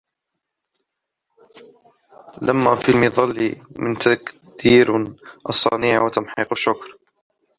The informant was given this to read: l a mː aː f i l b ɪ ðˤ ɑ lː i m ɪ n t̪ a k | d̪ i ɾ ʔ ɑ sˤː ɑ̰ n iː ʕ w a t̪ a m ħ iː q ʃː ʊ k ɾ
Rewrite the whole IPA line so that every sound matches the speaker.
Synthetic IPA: l a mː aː f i l m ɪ ðˤ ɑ lː i m ɪ n t̪ a k | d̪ iː ɾ ʔ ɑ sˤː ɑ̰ n iː ʕ w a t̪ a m ħ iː q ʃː ʊ k ɾ